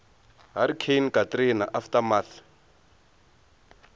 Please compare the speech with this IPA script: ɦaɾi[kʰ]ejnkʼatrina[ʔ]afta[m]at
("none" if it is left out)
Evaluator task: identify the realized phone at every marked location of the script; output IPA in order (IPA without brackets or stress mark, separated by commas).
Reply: kʰ, ʔ, m